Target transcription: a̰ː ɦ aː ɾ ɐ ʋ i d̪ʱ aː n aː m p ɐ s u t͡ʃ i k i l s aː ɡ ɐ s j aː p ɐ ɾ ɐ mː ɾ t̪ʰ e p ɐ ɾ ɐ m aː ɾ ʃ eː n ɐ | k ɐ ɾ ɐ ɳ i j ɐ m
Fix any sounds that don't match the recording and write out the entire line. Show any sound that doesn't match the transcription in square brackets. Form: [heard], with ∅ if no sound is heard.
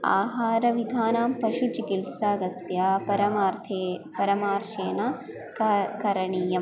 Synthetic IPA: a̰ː ɦ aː ɾ ɐ ʋ i d̪ʱ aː n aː m p ɐ [ʃ] u t͡ʃ i k i l s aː ɡ ɐ s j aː p ɐ ɾ ɐ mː ɾ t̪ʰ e p ɐ ɾ ɐ m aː ɾ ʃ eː n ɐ | k ɐ ɾ ɐ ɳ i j ɐ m